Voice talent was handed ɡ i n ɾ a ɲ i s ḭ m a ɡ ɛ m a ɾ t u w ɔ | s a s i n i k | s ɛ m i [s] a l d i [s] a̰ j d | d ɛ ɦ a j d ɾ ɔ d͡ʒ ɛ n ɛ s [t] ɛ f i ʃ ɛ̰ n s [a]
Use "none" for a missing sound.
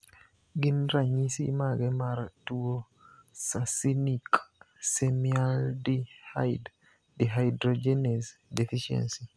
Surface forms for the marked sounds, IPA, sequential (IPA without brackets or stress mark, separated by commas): none, h, d, i